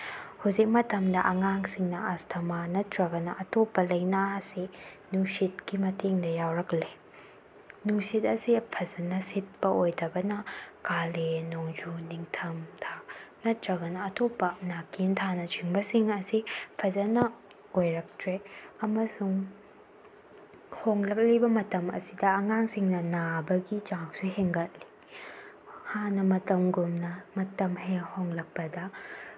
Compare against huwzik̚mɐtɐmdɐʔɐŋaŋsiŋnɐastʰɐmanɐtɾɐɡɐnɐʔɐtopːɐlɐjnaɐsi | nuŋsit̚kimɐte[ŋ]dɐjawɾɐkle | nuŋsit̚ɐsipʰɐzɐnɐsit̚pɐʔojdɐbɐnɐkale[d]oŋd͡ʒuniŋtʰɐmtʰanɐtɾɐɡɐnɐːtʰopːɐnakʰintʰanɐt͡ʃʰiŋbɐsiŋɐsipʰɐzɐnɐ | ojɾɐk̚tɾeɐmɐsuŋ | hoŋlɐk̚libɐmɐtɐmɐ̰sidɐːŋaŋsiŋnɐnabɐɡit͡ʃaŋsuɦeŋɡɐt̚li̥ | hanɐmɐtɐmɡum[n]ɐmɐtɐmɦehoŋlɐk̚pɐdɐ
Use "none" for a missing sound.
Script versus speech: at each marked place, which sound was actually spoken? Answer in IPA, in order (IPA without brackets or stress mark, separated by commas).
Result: ŋ, n, n